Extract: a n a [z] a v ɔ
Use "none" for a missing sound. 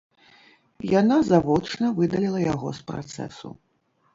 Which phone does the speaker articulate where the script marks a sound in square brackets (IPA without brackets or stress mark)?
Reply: z